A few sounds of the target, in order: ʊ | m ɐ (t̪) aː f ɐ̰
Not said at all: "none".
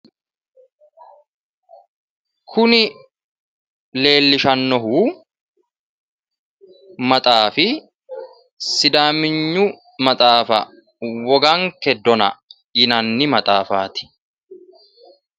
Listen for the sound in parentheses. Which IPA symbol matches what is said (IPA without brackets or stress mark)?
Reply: t̪ʼ